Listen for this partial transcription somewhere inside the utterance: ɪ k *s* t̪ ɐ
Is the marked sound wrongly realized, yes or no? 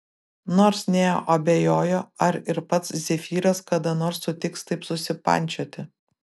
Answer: no